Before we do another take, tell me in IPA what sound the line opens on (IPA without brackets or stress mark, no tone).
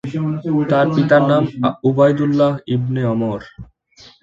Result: t̪